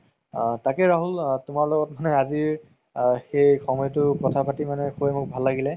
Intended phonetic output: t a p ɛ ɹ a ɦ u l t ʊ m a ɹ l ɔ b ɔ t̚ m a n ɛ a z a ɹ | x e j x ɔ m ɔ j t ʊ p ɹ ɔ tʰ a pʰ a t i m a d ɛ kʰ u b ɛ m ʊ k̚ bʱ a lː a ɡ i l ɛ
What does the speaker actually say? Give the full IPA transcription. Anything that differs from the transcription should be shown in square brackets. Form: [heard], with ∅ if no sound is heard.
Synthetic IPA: t a [k] ɛ ɹ a ɦ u l t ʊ m a ɹ l ɔ [ɡ] ɔ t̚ m a n ɛ a z [i] ɹ | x e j x ɔ m ɔ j t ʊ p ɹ ɔ tʰ a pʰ a t i m a [n] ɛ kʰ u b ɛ m ʊ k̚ bʱ a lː a ɡ i l ɛ